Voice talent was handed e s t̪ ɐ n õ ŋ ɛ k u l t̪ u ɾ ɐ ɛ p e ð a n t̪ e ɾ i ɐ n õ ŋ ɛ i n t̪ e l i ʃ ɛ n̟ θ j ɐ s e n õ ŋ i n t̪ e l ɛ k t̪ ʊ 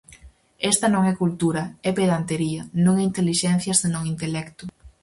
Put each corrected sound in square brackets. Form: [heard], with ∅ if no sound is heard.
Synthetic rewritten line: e s t̪ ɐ n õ ŋ ɛ k u l t̪ u ɾ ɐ ɛ p e ð a n t̪ e ɾ i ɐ n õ ŋ ɛ i n t̪ e l i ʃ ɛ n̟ θ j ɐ s e n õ ŋ i n t̪ e l ɛ k t̪ ʊ